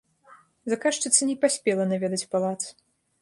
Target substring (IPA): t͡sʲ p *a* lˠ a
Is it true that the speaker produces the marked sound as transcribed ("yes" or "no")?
yes